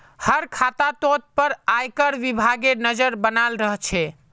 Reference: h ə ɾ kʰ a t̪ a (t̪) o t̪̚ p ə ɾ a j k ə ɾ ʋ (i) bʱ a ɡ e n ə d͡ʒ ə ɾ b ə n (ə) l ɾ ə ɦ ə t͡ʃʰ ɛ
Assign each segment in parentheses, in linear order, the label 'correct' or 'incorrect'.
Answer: correct, correct, incorrect

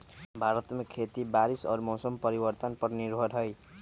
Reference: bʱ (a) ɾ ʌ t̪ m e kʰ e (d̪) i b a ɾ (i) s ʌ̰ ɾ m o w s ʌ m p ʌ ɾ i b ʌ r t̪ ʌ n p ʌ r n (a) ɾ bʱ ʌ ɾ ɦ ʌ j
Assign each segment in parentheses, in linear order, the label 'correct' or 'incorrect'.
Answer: correct, incorrect, correct, incorrect

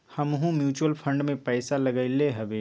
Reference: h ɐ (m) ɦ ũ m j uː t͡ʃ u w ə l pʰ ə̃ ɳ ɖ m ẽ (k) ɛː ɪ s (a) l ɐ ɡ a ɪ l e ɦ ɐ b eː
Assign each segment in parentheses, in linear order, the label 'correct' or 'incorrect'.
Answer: correct, incorrect, correct

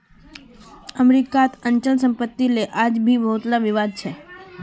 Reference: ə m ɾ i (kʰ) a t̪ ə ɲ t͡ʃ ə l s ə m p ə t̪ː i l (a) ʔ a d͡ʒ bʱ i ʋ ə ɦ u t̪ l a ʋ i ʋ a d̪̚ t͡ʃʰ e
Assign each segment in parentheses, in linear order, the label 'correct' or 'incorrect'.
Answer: incorrect, incorrect

